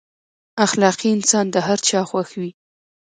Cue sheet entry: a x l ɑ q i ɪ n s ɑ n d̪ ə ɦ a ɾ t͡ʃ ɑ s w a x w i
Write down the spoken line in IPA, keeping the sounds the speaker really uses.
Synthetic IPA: a x l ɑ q i ɪ n s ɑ n d̪ ə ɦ a ɾ t͡ʃ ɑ x w a x w i